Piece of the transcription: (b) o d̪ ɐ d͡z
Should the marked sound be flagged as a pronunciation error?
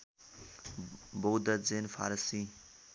no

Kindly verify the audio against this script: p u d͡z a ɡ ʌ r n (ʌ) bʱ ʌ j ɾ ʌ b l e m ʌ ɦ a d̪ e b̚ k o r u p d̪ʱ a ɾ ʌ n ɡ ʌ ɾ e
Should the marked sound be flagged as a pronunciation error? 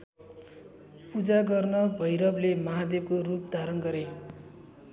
no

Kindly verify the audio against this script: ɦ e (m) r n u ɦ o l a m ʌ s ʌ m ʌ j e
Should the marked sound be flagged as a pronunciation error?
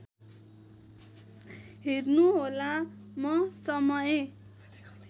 yes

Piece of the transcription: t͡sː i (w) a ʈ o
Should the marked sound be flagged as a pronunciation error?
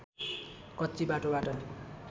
yes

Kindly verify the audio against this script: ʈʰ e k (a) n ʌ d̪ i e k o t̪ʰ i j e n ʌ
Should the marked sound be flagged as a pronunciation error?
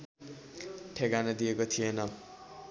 no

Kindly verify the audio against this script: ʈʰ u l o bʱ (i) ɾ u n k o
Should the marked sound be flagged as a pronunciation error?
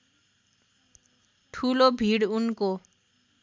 no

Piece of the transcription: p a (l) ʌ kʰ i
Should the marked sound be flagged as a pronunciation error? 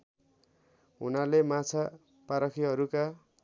yes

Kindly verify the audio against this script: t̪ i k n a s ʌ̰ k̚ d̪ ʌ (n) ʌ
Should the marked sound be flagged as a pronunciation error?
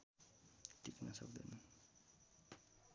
no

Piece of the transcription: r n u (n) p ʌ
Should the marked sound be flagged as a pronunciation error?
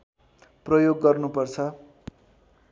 yes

